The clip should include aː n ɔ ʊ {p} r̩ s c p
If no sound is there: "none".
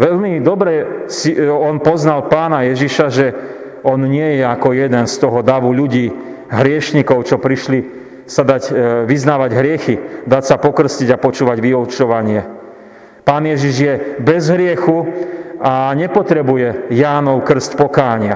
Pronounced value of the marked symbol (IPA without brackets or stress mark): k